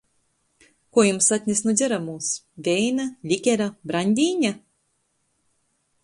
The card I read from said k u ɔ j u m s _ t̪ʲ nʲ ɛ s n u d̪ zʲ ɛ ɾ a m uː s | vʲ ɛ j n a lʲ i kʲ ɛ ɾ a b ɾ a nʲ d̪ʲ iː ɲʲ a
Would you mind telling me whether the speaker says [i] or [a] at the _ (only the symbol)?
a